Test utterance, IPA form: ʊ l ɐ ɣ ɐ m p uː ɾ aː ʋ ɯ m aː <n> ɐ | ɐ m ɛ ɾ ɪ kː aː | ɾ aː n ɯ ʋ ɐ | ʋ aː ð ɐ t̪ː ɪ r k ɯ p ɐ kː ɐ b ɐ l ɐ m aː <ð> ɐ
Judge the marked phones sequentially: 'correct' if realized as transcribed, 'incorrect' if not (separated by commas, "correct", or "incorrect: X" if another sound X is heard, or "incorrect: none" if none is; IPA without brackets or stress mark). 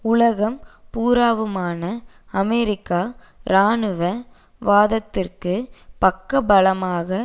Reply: correct, incorrect: ɣ